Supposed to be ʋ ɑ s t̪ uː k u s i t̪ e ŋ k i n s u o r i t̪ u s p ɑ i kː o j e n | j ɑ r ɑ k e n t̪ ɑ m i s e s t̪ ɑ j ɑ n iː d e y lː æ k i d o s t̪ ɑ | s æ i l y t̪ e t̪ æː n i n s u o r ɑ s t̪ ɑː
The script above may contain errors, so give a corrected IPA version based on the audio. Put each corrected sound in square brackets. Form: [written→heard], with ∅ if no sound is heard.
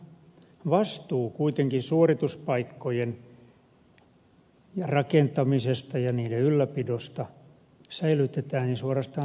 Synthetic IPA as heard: ʋ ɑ s t̪ uː k u [s→∅] i t̪ e ŋ k i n s u o r i t̪ u s p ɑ i kː o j e n | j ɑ r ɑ k e n t̪ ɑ m i s e s t̪ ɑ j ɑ n iː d e y lː æ [k→p] i d o s t̪ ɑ | s æ i l y t̪ e t̪ æː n i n s u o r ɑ s t̪ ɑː

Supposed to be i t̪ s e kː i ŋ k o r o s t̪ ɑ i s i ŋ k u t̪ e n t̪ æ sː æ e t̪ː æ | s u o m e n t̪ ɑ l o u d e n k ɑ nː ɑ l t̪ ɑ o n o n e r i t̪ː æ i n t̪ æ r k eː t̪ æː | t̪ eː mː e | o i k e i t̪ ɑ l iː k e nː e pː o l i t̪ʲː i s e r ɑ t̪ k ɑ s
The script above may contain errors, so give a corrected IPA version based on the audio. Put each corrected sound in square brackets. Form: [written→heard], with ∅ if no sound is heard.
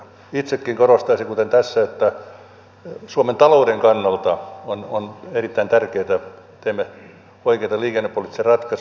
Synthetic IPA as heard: i t̪ s e kː i ŋ k o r o s t̪ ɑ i s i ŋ k u t̪ e n t̪ æ sː æ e t̪ː æ | s u o m e n t̪ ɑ l o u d e [n→ŋ] k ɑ nː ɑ l t̪ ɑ o n o n e r i t̪ː æ i n t̪ æ r k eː t̪ [æː→æ] | t̪ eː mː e | o i k e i t̪ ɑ l iː k e nː e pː o l i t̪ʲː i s e r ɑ t̪ k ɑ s

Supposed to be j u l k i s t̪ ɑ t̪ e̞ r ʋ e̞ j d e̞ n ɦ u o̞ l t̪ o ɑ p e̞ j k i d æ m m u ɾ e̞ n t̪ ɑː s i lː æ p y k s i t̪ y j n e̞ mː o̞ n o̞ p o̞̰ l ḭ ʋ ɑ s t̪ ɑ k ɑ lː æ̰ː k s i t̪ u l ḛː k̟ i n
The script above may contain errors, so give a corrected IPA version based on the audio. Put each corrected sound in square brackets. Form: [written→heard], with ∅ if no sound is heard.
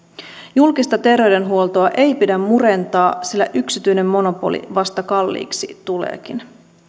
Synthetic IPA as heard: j u l k i s t̪ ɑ t̪ e̞ r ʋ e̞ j d e̞ n ɦ u o̞ l t̪ o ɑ [p→ʔ] e̞ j [k→p] i d æ m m u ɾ e̞ n t̪ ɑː s i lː æ [p→ʔ] y k s i t̪ y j n e̞ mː o̞ n o̞ p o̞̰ l ḭ ʋ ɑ s t̪ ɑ k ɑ lː [æ̰ː→ḭː] k s i t̪ u l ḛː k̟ i n

